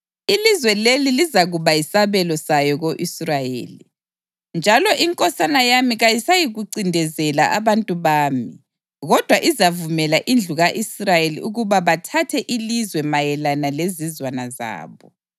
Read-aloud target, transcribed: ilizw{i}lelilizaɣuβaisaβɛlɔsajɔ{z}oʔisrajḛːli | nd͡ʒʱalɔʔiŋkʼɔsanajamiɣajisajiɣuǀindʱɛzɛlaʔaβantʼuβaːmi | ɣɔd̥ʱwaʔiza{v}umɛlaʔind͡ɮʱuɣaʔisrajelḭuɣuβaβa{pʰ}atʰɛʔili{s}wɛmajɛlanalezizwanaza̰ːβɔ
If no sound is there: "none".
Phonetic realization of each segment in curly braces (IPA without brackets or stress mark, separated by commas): ɛ, ɣ, v, tʰ, z